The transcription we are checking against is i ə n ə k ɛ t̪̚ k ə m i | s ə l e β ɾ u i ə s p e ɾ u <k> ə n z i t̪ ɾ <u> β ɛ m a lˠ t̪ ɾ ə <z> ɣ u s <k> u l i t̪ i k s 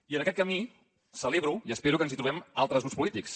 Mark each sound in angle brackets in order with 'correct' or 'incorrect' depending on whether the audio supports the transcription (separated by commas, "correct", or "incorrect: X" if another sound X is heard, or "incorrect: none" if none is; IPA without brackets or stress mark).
correct, correct, correct, incorrect: p